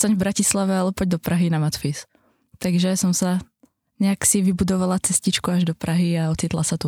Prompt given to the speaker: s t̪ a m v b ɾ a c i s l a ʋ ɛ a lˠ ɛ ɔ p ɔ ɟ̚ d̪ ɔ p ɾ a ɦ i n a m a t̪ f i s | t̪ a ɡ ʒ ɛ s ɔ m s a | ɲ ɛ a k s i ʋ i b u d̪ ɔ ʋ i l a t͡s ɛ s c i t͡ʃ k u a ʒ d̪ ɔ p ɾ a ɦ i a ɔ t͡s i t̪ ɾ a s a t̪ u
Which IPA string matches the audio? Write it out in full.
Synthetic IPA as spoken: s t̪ a ɲ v b ɾ a c i s l a ʋ ɛ a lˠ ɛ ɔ p ɔ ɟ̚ d̪ ɔ p ɾ a ɦ i n a m a t̪ f i s | t̪ a ɡ ʒ ɛ s ɔ m s a | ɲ ɛ a k s i ʋ i b u d̪ ɔ ʋ a l a t͡s ɛ s c i t͡ʃ k u a ʒ d̪ ɔ p ɾ a ɦ i a ɔ t͡s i t̪ l a s a t̪ u